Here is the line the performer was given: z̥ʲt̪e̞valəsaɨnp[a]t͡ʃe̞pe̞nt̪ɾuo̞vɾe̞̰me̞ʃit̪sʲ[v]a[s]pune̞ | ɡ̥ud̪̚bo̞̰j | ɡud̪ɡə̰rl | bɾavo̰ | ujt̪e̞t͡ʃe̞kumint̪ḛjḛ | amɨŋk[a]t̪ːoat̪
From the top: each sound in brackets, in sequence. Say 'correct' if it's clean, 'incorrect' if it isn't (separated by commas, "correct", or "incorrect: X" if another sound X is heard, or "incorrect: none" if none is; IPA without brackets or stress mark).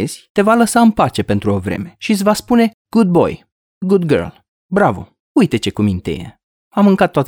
correct, correct, correct, correct